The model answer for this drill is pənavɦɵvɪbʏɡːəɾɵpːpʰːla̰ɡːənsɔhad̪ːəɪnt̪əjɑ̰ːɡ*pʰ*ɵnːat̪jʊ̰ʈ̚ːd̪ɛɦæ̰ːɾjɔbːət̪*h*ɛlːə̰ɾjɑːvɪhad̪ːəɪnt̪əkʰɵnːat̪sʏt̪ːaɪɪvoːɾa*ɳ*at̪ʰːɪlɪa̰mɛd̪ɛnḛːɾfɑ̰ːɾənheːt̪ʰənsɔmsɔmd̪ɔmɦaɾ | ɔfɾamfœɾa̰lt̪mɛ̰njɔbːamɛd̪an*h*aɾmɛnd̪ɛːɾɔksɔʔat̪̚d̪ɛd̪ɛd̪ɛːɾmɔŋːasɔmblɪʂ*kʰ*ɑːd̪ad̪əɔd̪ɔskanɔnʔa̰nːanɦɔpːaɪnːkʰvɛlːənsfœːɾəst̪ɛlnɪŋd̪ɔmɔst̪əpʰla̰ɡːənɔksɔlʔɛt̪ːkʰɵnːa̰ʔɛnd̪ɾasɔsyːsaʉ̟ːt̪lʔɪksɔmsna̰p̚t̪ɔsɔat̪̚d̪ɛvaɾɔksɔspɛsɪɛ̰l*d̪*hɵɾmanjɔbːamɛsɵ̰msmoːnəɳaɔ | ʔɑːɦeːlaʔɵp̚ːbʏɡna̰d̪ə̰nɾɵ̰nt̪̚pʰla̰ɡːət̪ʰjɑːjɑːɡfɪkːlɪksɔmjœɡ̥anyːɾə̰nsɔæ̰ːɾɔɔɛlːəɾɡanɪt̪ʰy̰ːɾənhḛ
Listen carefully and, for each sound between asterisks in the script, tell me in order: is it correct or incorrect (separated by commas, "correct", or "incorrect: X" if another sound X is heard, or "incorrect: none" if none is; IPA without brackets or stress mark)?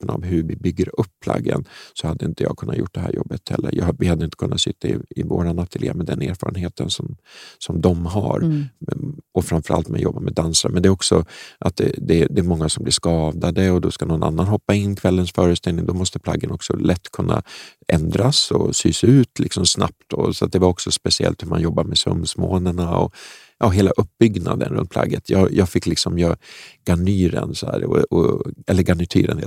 incorrect: kʰ, correct, incorrect: n, incorrect: s, incorrect: k, incorrect: t̪